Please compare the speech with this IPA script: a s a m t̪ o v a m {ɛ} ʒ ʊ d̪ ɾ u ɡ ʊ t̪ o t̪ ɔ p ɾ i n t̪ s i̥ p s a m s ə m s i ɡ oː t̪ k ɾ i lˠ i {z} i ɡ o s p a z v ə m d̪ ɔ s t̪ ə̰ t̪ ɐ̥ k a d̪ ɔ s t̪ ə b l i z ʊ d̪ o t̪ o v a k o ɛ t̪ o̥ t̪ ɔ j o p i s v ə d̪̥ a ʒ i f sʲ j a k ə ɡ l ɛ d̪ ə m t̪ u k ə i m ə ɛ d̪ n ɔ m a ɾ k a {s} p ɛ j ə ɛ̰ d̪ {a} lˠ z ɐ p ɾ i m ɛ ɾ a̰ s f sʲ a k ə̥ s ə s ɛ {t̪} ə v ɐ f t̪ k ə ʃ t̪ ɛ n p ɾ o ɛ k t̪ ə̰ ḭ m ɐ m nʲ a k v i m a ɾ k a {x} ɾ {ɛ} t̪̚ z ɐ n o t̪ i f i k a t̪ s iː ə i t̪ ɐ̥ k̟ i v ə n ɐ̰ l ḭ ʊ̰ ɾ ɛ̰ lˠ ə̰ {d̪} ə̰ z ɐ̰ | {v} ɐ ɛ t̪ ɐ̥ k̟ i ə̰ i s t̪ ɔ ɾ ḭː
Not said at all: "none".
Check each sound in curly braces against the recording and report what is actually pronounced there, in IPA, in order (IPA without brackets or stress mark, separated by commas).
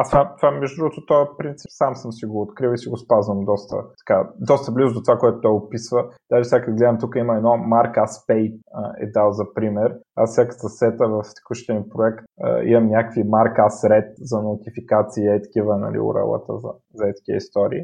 ɛ, s, s, a, t̪, s, ɛ, t̪, z